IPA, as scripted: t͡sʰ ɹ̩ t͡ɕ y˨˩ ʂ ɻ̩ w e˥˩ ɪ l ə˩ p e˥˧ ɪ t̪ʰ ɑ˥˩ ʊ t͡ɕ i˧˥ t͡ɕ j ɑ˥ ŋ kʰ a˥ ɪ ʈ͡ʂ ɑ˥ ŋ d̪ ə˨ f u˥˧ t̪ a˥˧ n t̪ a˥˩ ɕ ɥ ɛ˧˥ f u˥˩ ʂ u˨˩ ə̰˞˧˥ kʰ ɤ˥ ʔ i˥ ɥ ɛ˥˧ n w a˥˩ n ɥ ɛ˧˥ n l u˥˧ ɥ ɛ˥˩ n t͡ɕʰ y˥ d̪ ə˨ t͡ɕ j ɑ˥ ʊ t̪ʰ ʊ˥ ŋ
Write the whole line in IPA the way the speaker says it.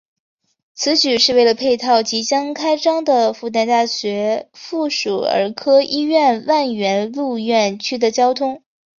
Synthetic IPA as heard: t͡sʰ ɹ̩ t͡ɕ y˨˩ ʂ ɻ̩ w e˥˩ ɪ l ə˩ pʰ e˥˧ ɪ t̪ʰ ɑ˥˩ ʊ t͡ɕ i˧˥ t͡ɕ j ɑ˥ ŋ kʰ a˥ ɪ ʈ͡ʂ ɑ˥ ŋ d̪ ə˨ f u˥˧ t̪ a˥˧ n t̪ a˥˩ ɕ ɥ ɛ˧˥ f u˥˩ ʂ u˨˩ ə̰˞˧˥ kʰ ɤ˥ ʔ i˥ ɥ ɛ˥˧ n w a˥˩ n ɥ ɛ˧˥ n l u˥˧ ɥ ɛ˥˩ n t͡ɕʰ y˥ d̪ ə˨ t͡ɕ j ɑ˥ ʊ t̪ʰ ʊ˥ ŋ